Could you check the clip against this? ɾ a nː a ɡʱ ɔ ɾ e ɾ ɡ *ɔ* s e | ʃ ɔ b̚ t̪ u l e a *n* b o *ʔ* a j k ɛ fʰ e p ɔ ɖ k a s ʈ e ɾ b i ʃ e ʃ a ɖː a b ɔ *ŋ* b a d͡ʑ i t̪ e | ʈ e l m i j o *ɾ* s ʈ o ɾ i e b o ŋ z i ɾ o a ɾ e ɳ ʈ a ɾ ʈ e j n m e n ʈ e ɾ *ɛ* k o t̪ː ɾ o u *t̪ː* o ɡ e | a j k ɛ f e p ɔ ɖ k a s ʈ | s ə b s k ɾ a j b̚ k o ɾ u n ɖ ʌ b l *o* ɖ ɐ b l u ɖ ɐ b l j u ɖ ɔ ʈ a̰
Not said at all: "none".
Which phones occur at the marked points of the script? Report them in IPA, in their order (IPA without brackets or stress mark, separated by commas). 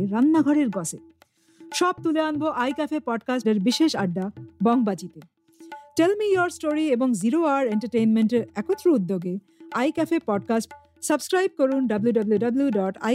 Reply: ɔ, n, ʔ, ŋ, ɾ, ɛ, d̪ː, u